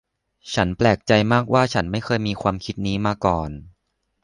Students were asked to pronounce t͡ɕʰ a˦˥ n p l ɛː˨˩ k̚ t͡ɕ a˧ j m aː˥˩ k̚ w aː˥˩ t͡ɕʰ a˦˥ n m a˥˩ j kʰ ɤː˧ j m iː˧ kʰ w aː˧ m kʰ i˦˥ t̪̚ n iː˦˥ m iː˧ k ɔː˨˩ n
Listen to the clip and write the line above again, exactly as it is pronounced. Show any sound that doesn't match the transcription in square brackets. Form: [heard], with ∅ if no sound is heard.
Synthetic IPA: t͡ɕʰ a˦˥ n p l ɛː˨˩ k̚ t͡ɕ a˧ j m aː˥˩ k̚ w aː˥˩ t͡ɕʰ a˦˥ n m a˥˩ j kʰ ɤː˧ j m iː˧ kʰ w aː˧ m kʰ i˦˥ t̪̚ n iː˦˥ m [aː˧] k ɔː˨˩ n